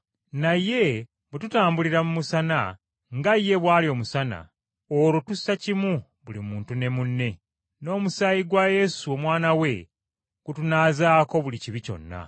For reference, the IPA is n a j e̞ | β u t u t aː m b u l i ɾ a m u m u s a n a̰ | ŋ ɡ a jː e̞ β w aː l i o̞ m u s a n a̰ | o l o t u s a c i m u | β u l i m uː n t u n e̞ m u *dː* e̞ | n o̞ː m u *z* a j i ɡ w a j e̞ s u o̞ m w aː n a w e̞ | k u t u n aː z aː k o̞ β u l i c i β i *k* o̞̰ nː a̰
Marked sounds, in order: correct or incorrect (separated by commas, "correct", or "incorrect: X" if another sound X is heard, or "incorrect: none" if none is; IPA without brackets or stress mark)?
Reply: incorrect: nː, incorrect: s, incorrect: c